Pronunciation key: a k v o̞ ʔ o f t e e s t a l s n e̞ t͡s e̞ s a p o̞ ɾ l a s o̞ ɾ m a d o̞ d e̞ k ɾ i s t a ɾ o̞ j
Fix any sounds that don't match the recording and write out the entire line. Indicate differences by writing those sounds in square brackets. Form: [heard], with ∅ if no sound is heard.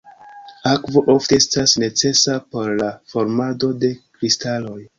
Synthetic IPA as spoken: a k v o̞ ʔ o f t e e s t a [∅] s n e̞ t͡s e̞ s a p o̞ ɾ l a [f] o̞ ɾ m a d o̞ d e̞ k ɾ i s t a [l] o̞ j